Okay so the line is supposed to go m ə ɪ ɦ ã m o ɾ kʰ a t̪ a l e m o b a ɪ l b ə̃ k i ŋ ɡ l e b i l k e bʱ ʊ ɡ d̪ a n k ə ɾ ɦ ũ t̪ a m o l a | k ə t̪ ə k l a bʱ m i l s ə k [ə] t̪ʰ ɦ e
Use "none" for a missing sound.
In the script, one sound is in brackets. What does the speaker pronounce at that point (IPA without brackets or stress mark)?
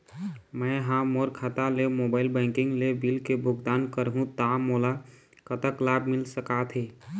a